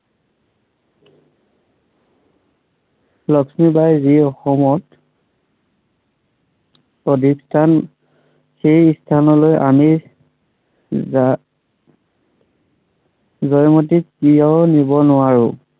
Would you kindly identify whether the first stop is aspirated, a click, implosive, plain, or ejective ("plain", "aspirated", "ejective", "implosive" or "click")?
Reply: plain